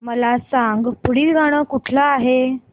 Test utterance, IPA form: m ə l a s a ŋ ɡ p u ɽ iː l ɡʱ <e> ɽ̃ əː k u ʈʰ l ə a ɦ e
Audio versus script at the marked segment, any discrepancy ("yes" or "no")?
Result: yes